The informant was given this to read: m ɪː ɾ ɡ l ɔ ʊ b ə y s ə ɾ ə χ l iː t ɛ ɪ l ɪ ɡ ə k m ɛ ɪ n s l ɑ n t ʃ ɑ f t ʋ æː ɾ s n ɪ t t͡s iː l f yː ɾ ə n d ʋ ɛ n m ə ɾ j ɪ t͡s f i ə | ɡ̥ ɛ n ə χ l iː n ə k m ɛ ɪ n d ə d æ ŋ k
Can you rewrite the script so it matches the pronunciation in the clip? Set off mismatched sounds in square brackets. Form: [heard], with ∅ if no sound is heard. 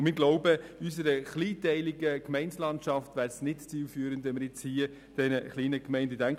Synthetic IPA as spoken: m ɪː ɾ ɡ l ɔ ʊ b ə y s ə ɾ ə χ l iː t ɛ ɪ l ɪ ɡ ə k m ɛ ɪ n s l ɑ n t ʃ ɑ f t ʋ æː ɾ s n ɪ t t͡s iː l f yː ɾ ə n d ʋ ɛ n m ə ɾ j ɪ t͡s [h] i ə | [d̥] ɛ n ə χ l iː n ə k m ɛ ɪ n d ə d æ ŋ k